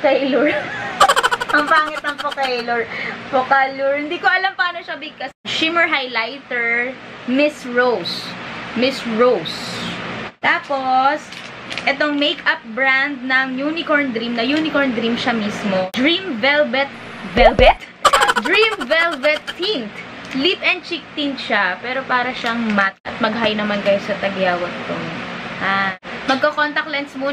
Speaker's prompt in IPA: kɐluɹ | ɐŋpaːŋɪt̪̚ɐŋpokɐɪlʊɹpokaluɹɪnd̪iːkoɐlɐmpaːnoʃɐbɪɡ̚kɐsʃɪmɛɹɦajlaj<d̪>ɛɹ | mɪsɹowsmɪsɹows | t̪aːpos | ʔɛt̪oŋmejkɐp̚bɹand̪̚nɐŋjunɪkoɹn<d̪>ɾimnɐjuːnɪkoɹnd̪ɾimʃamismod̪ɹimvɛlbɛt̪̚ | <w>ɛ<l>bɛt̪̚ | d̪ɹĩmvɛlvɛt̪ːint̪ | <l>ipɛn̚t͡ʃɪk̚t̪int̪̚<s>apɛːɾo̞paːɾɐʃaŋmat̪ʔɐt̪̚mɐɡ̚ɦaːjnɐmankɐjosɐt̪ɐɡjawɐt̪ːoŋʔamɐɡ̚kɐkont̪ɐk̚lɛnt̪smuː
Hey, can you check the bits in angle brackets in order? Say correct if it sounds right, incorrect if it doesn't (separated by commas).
incorrect, correct, incorrect, correct, correct, incorrect